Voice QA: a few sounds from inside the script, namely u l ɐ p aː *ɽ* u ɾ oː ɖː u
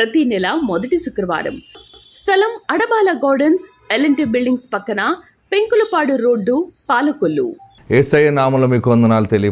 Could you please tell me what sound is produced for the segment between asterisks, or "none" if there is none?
ɽ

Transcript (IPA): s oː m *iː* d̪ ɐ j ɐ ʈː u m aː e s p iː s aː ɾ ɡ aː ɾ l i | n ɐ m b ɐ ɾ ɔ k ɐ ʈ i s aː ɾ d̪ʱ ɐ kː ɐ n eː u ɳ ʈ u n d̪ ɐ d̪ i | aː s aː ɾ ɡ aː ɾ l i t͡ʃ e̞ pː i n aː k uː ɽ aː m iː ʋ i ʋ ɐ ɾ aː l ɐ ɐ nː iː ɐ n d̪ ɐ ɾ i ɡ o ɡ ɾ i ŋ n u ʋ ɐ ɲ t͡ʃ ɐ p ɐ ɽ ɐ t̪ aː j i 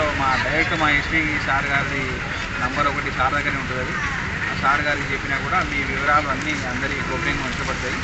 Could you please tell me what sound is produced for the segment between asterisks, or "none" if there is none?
aː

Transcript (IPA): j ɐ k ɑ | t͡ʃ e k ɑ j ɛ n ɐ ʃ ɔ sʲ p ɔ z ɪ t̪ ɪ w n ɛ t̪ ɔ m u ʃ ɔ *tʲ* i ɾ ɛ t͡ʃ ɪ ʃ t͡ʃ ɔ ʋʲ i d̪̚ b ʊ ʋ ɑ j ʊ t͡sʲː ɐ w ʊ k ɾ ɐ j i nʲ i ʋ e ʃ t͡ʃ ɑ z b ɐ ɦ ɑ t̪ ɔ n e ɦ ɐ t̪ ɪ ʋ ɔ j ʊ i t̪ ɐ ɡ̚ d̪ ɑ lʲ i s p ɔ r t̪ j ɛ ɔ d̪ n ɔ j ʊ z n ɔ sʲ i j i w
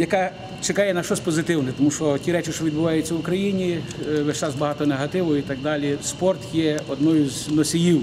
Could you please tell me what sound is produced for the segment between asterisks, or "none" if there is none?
tʲ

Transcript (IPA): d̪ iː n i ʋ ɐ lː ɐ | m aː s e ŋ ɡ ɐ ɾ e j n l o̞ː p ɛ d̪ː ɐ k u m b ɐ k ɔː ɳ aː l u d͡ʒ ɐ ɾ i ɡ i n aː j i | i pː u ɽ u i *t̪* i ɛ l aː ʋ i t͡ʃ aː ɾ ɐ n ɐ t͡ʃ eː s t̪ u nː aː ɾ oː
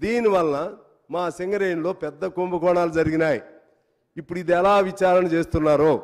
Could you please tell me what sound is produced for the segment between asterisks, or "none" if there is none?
d̪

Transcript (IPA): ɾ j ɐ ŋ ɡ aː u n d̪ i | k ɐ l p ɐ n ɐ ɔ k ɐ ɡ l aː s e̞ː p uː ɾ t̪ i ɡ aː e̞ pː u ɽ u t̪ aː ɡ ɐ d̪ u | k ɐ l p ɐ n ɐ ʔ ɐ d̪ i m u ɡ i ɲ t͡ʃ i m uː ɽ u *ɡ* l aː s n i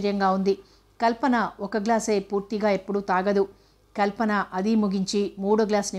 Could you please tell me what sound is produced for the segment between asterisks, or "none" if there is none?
ɡ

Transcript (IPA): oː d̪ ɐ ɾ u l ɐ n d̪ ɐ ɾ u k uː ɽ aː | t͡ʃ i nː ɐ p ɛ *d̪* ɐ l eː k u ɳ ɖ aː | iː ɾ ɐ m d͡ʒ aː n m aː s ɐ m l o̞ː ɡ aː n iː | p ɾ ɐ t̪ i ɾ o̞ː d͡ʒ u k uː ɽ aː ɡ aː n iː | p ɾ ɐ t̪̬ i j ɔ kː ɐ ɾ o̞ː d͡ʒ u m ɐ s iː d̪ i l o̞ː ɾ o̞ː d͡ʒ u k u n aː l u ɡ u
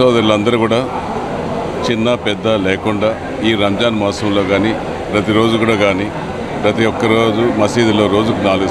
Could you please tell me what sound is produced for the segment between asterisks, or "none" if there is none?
d̪ː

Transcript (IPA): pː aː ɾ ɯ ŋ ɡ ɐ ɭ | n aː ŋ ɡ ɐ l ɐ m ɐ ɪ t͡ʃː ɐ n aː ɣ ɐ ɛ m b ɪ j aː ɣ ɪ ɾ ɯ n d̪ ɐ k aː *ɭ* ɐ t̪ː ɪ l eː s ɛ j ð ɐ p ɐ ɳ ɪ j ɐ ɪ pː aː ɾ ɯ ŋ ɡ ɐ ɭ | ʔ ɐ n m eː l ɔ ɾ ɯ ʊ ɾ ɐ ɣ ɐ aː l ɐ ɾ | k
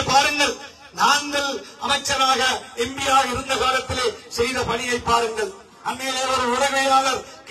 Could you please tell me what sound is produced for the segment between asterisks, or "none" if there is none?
l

